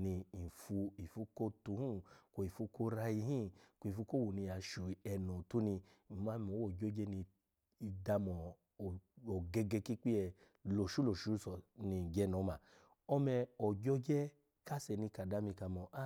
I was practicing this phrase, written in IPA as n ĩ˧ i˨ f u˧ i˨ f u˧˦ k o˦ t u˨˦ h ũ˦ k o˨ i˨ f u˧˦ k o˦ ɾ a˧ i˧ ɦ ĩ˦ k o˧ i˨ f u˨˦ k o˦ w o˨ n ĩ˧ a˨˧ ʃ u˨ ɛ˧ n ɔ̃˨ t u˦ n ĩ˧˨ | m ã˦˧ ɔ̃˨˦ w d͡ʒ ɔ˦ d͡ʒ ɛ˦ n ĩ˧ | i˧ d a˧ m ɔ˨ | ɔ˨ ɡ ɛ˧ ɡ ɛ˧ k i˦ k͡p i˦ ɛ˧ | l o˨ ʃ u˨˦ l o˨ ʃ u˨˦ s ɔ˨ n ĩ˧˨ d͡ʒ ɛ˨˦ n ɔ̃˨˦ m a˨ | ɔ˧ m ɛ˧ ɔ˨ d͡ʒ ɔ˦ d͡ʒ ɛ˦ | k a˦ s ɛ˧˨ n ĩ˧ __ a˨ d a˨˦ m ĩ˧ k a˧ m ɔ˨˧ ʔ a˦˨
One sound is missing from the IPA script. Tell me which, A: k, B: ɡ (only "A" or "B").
A